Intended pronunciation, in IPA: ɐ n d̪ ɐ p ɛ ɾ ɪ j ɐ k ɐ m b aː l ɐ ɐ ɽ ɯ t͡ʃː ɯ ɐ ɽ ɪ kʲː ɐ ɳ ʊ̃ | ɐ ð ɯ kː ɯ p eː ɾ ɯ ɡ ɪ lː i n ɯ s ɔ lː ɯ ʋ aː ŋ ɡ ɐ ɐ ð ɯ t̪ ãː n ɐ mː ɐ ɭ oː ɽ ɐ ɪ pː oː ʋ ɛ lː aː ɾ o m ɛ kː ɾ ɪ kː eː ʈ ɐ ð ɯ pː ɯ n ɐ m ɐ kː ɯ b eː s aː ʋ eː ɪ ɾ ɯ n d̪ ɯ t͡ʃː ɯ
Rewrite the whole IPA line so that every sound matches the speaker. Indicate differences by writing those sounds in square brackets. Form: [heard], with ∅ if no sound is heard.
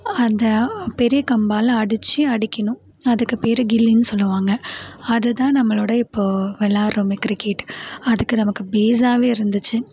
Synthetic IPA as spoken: ɐ n d̪ ɐ p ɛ ɾ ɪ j ɐ k ɐ m b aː l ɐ ɐ ɽ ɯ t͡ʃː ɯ ɐ ɽ ɪ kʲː ɐ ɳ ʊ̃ | ɐ ð ɯ kː ɯ p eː ɾ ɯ ɡ ɪ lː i n ɯ s ɔ lː ɯ ʋ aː ŋ ɡ ɐ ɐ ð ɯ t̪ ãː n ɐ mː ɐ ɭ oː ɽ ɐ ɪ pː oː ʋ ɛ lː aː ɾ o m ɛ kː ɾ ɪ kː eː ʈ ɐ ð ɯ [kː] ɯ n ɐ m ɐ kː ɯ b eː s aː ʋ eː ɪ ɾ ɯ n d̪ ɯ t͡ʃː ɯ